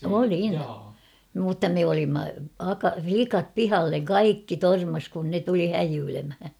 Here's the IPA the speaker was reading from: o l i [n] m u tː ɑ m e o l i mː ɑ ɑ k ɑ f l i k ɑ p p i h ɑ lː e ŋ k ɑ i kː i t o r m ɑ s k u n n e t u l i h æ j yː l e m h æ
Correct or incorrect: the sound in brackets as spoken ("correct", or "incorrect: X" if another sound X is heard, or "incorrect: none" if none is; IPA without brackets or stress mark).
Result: correct